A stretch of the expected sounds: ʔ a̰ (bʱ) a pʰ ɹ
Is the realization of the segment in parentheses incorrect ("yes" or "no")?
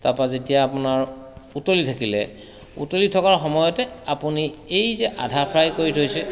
yes